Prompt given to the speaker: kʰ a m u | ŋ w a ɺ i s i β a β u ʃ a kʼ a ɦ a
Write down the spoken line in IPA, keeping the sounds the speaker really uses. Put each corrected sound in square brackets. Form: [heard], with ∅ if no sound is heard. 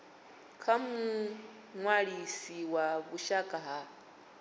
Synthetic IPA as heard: kʰ a m u | ŋ w a ɺ i s i [w] a β u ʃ a kʼ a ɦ a

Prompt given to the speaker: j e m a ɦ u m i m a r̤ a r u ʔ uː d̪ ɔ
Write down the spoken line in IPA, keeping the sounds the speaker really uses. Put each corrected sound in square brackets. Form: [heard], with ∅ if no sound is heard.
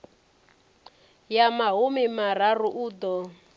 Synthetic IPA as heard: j [a] m a ɦ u m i m a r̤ a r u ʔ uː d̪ ɔ

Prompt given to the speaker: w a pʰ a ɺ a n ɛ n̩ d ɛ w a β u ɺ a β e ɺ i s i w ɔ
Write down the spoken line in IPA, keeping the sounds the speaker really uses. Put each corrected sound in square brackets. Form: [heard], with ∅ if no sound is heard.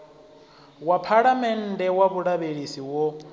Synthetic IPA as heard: w a pʰ a ɺ a [m] ɛ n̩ d ɛ w a β u ɺ a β e ɺ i s i w ɔ

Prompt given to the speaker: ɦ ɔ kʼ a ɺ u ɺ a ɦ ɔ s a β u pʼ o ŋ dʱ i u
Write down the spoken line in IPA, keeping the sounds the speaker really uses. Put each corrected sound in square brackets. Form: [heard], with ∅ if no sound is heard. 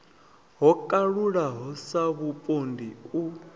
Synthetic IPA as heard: ɦ ɔ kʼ a ɺ u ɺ a ɦ ɔ s a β u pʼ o [n] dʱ i u

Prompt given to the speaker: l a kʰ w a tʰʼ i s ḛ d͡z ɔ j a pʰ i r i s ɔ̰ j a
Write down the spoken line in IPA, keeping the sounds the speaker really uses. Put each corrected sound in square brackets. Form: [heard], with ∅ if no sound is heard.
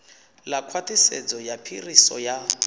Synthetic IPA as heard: l a kʰ w a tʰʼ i s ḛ d͡z ɔ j a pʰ i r i s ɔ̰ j a

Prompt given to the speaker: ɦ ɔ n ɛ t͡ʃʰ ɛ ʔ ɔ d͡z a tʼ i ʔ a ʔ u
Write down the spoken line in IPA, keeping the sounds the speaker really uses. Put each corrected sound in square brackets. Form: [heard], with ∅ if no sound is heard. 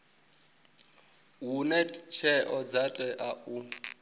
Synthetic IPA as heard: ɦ [u] n ɛ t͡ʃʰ ɛ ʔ ɔ d͡z a tʼ [ɛ] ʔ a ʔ u

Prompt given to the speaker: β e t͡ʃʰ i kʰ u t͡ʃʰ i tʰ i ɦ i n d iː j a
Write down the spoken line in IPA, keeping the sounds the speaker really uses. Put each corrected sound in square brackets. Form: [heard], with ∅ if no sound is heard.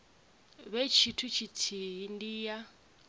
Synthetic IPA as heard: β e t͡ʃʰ i [tʰ] u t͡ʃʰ i tʰ i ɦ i n d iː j a

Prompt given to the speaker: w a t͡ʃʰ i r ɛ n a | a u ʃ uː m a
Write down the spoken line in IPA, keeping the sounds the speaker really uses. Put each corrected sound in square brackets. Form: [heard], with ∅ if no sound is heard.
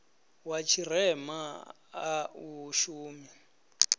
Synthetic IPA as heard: w a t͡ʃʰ i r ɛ [m] a | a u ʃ uː m [i]

